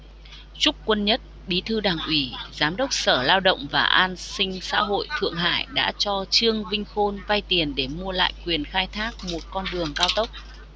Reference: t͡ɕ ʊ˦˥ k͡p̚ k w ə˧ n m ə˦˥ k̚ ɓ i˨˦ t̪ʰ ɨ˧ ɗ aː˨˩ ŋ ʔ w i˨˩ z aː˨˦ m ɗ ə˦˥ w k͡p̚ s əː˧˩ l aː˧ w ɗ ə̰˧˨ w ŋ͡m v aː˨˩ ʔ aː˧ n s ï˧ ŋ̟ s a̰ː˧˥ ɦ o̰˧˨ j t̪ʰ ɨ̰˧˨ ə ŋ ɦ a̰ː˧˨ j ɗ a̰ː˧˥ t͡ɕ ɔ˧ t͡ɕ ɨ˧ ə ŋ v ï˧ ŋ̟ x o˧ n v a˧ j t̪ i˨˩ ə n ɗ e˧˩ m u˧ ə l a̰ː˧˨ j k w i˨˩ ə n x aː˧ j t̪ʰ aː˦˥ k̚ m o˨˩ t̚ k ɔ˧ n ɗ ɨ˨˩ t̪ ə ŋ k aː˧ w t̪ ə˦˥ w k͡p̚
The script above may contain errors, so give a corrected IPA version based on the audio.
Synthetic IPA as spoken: t͡ɕ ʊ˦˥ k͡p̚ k w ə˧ n ɲ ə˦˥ t̚ ɓ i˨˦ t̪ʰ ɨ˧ ɗ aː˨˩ ŋ ʔ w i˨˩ z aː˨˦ m ɗ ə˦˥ w k͡p̚ s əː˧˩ l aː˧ w ɗ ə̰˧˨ w ŋ͡m v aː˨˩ ʔ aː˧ n s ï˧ ŋ̟ s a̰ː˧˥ ɦ o̰˧˨ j t̪ʰ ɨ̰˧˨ ə ŋ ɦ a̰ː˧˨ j ɗ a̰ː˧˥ t͡ɕ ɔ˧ t͡ɕ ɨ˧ ə ŋ v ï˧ ŋ̟ x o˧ n v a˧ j t̪ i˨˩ ə n ɗ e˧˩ m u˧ ə l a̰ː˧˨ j k w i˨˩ ə n x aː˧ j t̪ʰ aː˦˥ k̚ m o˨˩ t̚ k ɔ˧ n ɗ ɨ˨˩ ə ŋ k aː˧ w t̪ ə˦˥ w k͡p̚